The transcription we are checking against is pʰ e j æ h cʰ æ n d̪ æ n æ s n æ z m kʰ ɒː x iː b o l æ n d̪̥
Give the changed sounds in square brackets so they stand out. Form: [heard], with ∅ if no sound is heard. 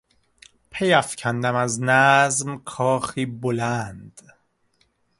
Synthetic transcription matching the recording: pʰ e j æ [f] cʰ æ n d̪ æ [m] æ [z] n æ z m kʰ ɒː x iː b o l æ n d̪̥